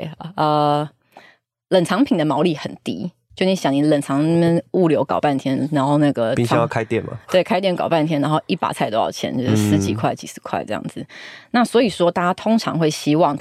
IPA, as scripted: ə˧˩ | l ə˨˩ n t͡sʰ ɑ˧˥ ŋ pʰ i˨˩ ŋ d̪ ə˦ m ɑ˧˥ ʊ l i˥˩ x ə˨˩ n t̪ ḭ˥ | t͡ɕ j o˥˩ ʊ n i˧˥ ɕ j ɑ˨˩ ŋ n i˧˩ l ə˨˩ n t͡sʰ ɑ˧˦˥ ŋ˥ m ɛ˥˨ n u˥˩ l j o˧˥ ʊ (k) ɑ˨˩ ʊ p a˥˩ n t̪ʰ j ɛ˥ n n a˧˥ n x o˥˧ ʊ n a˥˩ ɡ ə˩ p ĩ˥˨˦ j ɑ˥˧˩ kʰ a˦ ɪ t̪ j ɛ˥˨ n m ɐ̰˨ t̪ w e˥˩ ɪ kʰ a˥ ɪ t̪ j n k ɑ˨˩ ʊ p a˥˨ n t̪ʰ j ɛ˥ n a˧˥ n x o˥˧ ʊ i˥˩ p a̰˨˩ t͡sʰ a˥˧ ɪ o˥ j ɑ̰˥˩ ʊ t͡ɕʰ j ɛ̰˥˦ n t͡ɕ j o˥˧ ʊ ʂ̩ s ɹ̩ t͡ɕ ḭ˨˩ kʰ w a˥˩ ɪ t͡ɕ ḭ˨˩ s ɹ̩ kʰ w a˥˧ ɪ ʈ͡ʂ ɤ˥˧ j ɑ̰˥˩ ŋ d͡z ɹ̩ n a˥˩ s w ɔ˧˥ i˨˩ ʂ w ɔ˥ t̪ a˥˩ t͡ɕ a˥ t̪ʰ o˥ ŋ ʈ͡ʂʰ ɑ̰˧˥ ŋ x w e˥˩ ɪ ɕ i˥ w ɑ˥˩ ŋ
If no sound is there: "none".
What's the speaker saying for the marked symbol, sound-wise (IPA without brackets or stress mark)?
k